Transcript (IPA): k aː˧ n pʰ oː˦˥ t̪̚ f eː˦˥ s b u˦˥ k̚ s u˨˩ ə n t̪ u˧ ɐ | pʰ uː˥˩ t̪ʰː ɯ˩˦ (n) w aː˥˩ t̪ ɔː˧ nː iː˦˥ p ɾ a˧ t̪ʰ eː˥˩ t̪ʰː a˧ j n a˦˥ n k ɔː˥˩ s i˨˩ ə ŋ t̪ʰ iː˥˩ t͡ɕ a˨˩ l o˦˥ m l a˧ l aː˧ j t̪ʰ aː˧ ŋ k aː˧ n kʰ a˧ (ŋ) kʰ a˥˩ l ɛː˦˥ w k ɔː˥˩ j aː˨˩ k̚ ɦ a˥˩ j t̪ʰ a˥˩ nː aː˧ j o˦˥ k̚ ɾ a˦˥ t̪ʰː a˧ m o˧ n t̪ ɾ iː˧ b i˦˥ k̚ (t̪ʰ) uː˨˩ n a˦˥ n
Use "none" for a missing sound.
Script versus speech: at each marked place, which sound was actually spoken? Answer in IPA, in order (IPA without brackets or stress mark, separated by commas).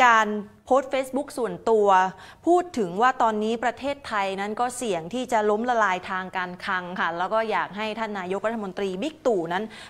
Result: ŋ, ŋ, t̪